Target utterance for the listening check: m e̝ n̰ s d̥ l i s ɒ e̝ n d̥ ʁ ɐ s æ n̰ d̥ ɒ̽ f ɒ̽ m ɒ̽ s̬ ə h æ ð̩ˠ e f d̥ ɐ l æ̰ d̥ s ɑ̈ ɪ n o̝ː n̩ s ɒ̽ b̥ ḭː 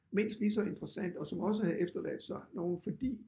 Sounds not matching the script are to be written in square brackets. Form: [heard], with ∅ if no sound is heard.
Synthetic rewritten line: m e̝ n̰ s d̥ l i s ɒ e̝ n d̥ ʁ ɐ s æ n̰ d̥ ɒ̽ [s] ɒ̽ m ɒ̽ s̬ ə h æ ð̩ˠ e f d̥ ɐ l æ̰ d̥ s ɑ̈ ɪ n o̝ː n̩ [f] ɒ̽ [d̥] ḭː